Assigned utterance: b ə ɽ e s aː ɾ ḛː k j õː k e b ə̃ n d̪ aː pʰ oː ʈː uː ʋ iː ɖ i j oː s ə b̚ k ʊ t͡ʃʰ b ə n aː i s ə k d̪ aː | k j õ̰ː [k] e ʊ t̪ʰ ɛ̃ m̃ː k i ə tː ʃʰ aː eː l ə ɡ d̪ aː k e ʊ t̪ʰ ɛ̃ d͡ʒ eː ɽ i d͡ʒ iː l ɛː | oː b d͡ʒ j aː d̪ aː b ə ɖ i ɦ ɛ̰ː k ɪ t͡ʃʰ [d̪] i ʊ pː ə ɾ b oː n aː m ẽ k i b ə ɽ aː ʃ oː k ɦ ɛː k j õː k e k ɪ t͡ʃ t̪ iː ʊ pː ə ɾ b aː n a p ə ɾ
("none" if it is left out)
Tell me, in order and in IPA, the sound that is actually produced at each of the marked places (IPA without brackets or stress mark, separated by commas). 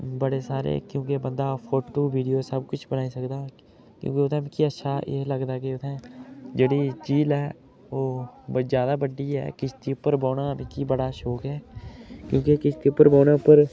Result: k, t̪